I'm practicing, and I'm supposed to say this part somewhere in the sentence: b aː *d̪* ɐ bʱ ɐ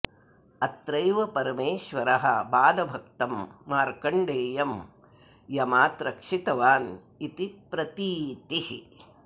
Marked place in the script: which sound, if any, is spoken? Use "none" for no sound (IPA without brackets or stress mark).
d̪